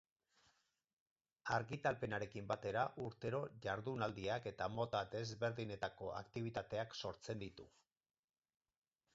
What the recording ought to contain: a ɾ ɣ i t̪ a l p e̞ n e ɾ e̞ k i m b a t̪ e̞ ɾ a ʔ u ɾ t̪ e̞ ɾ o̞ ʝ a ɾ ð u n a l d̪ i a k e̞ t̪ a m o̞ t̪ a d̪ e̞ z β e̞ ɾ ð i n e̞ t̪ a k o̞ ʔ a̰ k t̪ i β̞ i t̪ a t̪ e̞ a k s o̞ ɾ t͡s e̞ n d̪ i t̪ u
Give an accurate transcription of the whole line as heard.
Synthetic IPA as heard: a ɾ ɣ i t̪ a l p e̞ n a ɾ e̞ k i m b a t̪ e̞ ɾ a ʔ u ɾ t̪ e̞ ɾ o̞ ʝ a ɾ ð u n a l d̪ i a k e̞ t̪ a m o̞ t̪ a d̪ e̞ z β e̞ ɾ ð i n e̞ t̪ a k o̞ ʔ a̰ k t̪ i β̞ i t̪ a t̪ e̞ a k s o̞ ɾ t͡s e̞ n d̪ i t̪ u

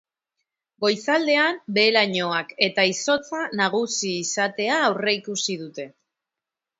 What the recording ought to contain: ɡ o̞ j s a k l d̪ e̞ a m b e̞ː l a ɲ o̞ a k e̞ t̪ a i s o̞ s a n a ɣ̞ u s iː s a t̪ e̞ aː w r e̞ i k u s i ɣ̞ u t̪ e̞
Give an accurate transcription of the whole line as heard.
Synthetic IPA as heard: ɡ o̞ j s a l d̪ e̞ a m b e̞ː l a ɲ o̞ a k e̞ t̪ a i s o̞ t͡s a n a ɣ̞ u s iː s a t̪ e̞ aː w r e̞ i k u s i ð̞ u t̪ e̞

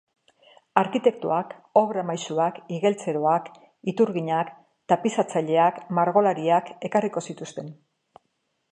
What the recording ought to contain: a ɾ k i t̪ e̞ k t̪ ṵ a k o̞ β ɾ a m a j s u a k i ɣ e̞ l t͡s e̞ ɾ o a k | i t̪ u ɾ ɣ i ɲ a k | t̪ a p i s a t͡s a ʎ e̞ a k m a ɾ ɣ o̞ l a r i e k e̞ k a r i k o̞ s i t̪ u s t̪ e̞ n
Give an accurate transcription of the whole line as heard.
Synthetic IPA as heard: a ɾ k i t̪ e̞ k t̪ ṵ a k o̞ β ɾ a m a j s u a k i ɣ e̞ l t͡s e̞ ɾ o a k | i t̪ u ɾ ɣ i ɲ a k | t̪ a p i s a t͡s a ʎ e̞ a k m a ɾ ɣ o̞ l a ɾ i a k e̞ k a r i k o̞ s i t̪ u s t̪ e̞ n

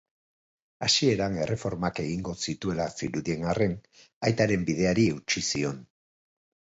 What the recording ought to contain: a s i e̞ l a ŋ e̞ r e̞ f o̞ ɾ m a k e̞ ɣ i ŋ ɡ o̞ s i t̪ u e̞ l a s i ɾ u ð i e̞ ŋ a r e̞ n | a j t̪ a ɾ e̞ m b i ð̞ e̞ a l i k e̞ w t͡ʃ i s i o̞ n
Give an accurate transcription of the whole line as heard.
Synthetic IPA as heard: a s i e̞ ɾ a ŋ e̞ r e̞ f o̞ ɾ m a k e̞ ɣ i ŋ ɡ o̞ s i t̪ u e̞ l a s i ɾ u ð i e̞ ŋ a r e̞ n | a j t̪ a ɾ e̞ m b i ð̞ e̞ a ɾ i e̞ w t͡ʃ i s i o̞ n

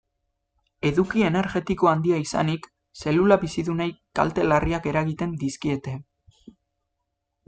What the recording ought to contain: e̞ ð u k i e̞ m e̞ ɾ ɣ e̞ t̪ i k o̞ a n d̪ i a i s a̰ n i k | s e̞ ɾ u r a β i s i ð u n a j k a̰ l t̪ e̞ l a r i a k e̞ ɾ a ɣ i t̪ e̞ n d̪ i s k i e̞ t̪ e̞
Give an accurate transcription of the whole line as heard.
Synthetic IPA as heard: e̞ ð u k i e̞ n e̞ ɾ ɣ e̞ t̪ i k o̞ a n d̪ i a i s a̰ n i k | s e̞ l u l a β i s i ð u n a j k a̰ l t̪ e̞ l a r i a k e̞ ɾ a ɣ i t̪ e̞ n d̪ i s k i e̞ t̪ e̞

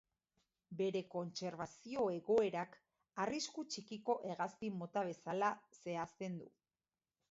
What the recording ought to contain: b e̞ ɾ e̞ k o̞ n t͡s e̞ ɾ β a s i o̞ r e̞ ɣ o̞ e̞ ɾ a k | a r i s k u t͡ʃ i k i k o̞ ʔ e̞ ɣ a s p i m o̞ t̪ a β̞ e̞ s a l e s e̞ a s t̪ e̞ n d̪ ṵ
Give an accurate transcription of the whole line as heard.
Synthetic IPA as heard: b e̞ ɾ e̞ k o̞ n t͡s e̞ ɾ β a s i o̞ e̞ ɣ o̞ e̞ ɾ a k | a r i s k u t͡ʃ i k i k o̞ ʔ e̞ ɣ a s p i m o̞ t̪ a β̞ e̞ s a l a s e̞ a s t̪ e̞ n d̪ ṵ

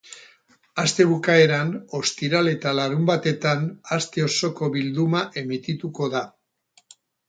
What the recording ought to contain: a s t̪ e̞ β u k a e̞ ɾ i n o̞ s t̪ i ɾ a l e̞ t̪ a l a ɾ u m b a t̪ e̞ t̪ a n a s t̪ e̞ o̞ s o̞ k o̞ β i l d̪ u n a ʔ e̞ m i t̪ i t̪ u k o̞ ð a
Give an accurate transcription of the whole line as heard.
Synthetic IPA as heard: a s t̪ e̞ β u k a e̞ ɾ a n o̞ s t̪ i ɾ a l e̞ t̪ a l a ɾ u m b a t̪ e̞ t̪ a n a s t̪ e̞ o̞ s o̞ k o̞ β i l d̪ u m a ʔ e̞ m i t̪ i t̪ u k o̞ ð a

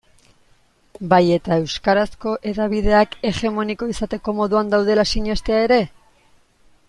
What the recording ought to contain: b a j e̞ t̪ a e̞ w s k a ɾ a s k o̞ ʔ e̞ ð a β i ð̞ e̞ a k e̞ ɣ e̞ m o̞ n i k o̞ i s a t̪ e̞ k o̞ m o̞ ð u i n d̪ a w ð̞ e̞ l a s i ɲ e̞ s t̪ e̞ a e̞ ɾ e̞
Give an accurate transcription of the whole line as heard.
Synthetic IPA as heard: b a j e̞ t̪ a e̞ w s k a ɾ a s k o̞ ʔ e̞ ð a β i ð̞ e̞ a k e̞ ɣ e̞ m o̞ n i k o̞ i s a t̪ e̞ k o̞ m o̞ ð u a n d̪ a w ð̞ e̞ l a s i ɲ e̞ s t̪ e̞ a e̞ ɾ e̞

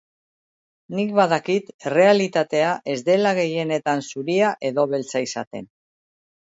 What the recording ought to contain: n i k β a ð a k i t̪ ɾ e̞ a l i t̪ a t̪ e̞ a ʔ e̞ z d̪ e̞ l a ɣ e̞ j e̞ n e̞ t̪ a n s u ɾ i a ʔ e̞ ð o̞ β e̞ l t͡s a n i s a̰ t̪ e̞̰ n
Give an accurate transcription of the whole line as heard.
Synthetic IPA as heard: n i k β a ð a k i t̪ r e̞ a l i t̪ a t̪ e̞ a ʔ e̞ z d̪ e̞ l a ɣ e̞ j e̞ n e̞ t̪ a n s u ɾ i a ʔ e̞ ð o̞ β e̞ l t͡s a i s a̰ t̪ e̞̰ n

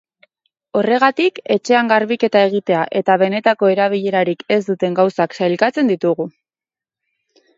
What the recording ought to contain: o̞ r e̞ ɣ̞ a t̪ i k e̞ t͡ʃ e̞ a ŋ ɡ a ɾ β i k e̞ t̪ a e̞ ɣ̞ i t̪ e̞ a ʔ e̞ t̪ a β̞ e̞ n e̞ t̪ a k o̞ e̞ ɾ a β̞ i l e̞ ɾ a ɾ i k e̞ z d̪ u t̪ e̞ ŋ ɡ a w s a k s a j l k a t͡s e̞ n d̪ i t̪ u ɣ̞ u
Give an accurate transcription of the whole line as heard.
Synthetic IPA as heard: o̞ r e̞ ɣ̞ a t̪ i k e̞ t͡ʃ e̞ a ŋ ɡ a ɾ β i k e̞ t̪ a e̞ ɣ̞ i t̪ e̞ a ʔ e̞ t̪ a β̞ e̞ n e̞ t̪ a k o̞ e̞ ɾ a β̞ i ʎ e̞ ɾ a ɾ i k e̞ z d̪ u t̪ e̞ ŋ ɡ a w s a k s a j l k a t͡s e̞ n d̪ i t̪ u ɣ̞ u

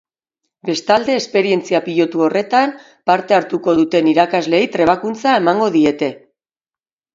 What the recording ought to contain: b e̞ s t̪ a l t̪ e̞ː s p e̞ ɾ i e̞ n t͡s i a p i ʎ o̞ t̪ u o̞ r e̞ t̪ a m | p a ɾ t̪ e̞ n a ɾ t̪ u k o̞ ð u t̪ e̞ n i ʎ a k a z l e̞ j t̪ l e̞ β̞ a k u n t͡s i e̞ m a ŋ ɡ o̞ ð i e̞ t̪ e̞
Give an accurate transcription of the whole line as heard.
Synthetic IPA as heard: b e̞ s t̪ a l d̪ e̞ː s p e̞ ɾ i e̞ n t͡s i a p i ʎ o̞ t̪ u o̞ r e̞ t̪ a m | p a ɾ t̪ e̞ a ɾ t̪ u k o̞ ð u t̪ e̞ n i ɾ a k a z l e̞ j t̪ ɾ e̞ β̞ a k u n t͡s a e̞ m a ŋ ɡ o̞ ð i e̞ t̪ e̞

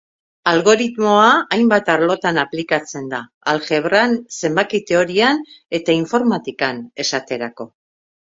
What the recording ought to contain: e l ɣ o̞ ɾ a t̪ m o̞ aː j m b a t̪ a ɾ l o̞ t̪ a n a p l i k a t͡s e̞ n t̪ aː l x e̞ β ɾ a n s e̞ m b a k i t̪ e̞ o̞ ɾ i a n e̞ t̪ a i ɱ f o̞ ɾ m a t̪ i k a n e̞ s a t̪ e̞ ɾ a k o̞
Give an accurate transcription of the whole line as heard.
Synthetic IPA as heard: a l ɣ o̞ ɾ i t̪ m o̞ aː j m b a t̪ a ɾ l o̞ t̪ a n a p l i k a t͡s e̞ n d̪ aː l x e̞ β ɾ a n s e̞ m b a k i t̪ e̞ o̞ ɾ i a n e̞ t̪ a i ɱ f o̞ ɾ m a t̪ i k a n e̞ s a t̪ e̞ ɾ a k o̞

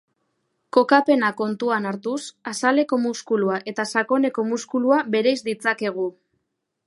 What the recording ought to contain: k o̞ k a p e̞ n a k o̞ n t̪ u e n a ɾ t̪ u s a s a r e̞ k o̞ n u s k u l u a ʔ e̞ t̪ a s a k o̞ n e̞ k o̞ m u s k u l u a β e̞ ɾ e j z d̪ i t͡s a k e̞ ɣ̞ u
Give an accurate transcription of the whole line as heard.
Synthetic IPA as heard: k o̞ k a p e̞ n a k o̞ n t̪ u a n a ɾ t̪ u s a s a l e̞ k o̞ m u s k u l u a ʔ e̞ t̪ a s a k o̞ n e̞ k o̞ m u s k u l u a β e̞ ɾ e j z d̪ i t͡s a k e̞ ɣ̞ u

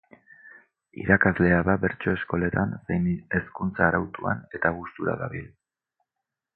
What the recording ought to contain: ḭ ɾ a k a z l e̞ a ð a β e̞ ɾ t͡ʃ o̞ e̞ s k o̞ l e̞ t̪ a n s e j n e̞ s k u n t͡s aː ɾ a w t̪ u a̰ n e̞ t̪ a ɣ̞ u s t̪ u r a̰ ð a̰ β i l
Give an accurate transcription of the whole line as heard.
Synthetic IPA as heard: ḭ ɾ a k a z l e̞ a ð a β e̞ ɾ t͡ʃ o̞ e̞ s k o̞ l e̞ t̪ a n s e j n e̞ s k u n t͡s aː ɾ a w t̪ u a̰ n e̞ t̪ a ɣ̞ u s t̪ u ɾ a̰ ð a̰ β i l

